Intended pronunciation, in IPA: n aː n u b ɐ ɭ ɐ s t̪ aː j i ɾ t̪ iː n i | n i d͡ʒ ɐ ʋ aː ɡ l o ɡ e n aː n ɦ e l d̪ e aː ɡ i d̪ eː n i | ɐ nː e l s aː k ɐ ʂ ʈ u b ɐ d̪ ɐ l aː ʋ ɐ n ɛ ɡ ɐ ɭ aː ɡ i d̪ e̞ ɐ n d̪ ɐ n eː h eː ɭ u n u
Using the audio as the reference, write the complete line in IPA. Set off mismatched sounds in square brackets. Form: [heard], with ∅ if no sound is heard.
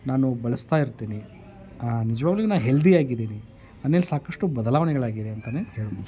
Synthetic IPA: n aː n u b ɐ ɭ ɐ s t̪ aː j i ɾ t̪ iː n i | n i d͡ʒ ɐ ʋ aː ɡ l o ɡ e n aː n ɦ e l d̪ [i] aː ɡ i d̪ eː n i | ɐ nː e l s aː k ɐ ʂ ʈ u b ɐ d̪ ɐ l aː ʋ ɐ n ɛ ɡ ɐ ɭ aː ɡ i d̪ e̞ ɐ n [t̪] ɐ n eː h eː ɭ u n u